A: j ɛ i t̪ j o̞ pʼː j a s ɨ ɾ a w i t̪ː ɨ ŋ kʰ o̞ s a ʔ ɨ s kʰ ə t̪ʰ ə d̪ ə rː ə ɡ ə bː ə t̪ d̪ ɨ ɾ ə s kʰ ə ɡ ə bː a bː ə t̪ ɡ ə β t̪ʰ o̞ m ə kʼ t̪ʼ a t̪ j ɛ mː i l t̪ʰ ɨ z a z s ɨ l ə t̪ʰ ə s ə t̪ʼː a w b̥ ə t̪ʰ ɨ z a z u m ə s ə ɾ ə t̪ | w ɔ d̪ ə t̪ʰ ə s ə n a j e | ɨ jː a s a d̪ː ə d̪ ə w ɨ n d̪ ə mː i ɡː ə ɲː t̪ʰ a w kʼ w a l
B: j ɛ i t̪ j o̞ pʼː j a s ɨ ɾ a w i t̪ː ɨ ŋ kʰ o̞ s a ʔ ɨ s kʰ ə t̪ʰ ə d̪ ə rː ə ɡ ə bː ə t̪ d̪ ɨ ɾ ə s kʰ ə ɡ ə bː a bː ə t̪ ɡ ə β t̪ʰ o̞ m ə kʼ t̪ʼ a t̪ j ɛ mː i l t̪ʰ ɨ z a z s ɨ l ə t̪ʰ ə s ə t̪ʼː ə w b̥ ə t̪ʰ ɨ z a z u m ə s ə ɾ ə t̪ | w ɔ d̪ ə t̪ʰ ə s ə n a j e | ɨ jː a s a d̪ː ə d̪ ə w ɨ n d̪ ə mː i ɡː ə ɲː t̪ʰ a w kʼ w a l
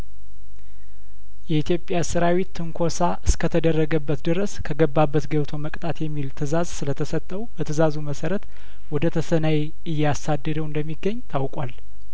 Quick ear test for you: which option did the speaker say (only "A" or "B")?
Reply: B